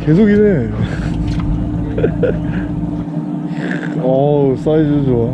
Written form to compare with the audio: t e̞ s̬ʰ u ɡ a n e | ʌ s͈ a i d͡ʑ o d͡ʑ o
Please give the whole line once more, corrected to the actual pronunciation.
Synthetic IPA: k e̞ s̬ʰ o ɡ i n e | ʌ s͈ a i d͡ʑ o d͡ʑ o